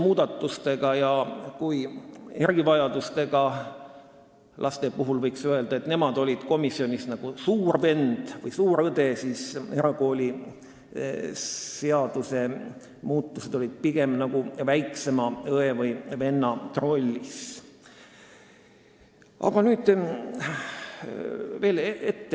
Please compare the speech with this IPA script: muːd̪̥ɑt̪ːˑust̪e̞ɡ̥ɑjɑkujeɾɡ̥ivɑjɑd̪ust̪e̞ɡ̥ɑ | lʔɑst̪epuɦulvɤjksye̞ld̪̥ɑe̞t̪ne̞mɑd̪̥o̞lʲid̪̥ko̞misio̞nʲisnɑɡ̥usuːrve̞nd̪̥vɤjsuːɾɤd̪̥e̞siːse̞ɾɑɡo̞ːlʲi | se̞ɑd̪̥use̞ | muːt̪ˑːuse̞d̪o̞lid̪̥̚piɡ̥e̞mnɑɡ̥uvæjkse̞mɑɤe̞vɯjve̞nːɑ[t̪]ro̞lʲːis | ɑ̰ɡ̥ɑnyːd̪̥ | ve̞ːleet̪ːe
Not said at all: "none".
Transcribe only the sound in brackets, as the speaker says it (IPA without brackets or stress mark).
t̪